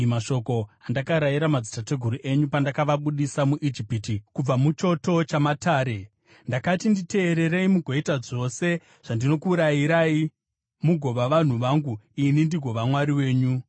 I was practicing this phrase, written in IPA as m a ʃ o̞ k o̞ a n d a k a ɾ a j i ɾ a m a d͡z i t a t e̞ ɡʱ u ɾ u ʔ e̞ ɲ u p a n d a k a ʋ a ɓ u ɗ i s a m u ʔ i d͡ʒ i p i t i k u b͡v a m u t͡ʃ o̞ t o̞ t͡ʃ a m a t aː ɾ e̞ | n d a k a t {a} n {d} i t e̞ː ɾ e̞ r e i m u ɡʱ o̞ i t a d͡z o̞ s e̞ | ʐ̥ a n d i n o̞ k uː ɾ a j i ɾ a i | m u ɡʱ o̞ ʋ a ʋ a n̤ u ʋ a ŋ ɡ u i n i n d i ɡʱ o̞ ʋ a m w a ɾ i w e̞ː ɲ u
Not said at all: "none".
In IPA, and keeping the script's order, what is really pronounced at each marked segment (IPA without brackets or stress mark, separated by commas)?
i, d